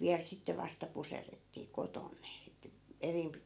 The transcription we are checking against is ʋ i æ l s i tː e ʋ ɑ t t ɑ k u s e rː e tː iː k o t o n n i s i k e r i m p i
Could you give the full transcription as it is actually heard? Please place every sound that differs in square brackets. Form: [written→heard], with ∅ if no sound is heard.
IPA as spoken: ʋ i æ l s i tː e ʋ ɑ [t→s] t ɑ [k→p] u s e rː e tː iː k o t o n n [i→e] s i [k→t] e r i m p i